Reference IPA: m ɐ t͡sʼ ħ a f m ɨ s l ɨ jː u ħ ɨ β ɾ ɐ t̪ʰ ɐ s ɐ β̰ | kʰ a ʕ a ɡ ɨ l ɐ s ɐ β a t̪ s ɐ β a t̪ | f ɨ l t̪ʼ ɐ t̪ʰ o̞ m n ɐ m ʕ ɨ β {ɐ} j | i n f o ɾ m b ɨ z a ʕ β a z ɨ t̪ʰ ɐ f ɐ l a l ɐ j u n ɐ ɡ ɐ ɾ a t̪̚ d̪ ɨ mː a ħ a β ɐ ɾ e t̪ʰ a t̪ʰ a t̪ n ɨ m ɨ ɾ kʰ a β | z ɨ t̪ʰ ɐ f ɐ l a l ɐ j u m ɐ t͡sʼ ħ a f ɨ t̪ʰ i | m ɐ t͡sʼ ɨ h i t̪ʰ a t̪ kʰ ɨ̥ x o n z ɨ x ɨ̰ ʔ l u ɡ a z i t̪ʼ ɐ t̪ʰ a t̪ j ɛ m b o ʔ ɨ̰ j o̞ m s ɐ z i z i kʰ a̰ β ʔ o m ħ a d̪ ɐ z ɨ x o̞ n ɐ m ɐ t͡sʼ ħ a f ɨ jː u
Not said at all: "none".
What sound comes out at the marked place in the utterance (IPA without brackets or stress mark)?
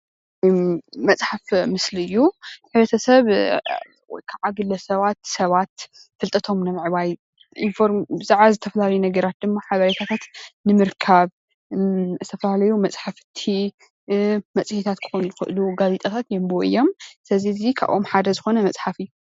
a